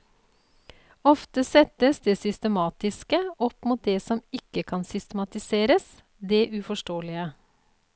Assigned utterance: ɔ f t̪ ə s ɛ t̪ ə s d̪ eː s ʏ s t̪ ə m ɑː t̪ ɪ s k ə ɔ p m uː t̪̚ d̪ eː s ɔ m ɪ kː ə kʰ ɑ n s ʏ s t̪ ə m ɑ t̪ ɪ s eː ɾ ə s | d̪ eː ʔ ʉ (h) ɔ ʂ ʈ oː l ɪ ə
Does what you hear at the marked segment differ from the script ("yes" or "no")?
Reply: yes